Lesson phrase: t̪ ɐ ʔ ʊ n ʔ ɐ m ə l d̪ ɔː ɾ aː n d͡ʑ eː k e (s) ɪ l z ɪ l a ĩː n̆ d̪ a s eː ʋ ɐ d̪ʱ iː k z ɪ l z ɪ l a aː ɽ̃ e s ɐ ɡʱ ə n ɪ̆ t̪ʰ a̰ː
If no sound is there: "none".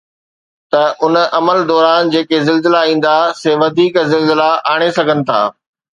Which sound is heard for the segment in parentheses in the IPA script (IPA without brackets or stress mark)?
z